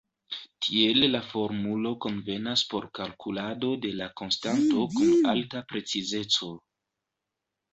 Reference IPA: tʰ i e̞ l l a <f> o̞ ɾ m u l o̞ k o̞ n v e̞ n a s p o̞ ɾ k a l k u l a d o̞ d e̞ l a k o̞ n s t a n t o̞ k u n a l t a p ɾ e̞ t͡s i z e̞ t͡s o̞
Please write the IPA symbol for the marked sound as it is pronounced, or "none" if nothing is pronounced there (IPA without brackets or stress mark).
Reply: f